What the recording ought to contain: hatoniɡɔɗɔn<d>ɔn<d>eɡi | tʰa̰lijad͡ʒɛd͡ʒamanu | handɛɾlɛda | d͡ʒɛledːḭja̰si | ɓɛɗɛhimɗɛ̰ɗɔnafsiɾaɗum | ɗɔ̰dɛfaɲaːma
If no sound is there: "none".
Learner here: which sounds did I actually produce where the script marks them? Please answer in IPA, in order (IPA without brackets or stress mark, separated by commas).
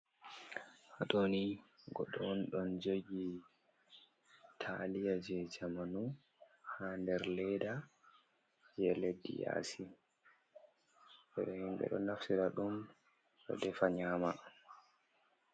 ɗ, d͡ʒ